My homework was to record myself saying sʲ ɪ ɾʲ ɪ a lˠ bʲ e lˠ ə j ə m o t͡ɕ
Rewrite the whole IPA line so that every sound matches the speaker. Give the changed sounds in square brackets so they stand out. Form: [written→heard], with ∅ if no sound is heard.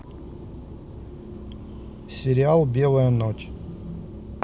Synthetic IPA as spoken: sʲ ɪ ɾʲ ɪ a lˠ bʲ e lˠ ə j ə [m→n] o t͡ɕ